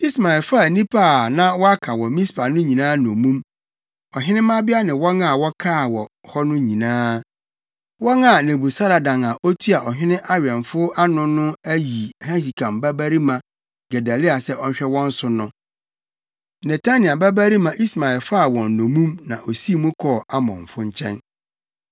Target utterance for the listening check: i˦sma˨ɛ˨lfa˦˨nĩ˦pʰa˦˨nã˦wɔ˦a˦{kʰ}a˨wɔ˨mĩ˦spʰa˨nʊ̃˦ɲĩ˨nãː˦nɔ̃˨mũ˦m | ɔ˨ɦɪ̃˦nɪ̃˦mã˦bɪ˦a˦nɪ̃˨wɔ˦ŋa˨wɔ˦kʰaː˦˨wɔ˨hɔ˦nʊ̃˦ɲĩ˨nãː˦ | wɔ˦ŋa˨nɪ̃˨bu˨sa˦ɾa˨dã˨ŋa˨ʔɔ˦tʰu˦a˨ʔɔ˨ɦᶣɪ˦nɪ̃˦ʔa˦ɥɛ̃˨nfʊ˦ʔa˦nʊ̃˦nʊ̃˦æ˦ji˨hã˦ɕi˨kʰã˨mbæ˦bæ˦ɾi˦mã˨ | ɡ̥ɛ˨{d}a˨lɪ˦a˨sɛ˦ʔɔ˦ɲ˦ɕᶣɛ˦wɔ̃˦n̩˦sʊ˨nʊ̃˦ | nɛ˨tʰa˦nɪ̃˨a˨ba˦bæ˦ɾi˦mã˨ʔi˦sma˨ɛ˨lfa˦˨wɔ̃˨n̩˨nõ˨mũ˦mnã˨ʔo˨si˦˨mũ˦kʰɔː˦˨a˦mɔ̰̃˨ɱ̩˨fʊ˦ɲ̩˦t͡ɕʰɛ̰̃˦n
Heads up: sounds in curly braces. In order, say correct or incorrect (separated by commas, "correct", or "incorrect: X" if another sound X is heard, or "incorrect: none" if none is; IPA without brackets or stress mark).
correct, correct